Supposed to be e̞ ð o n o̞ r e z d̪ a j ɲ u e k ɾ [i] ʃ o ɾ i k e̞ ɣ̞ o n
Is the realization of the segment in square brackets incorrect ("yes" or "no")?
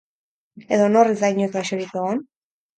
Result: yes